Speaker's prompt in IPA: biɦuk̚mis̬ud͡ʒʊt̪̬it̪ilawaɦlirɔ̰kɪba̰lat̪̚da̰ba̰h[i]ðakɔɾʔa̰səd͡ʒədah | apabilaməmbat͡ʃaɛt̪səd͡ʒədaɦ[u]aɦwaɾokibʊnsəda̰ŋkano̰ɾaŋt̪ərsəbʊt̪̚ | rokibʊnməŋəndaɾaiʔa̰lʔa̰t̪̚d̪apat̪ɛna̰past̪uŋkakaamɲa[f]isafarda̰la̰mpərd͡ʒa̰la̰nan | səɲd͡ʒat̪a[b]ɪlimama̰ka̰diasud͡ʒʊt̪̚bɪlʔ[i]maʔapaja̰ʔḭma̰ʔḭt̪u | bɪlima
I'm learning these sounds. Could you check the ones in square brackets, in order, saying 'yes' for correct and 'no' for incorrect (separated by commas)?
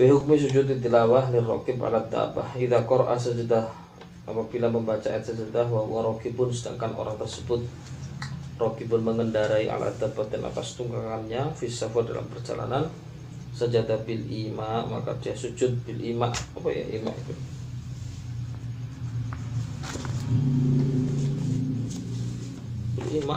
yes, no, yes, yes, yes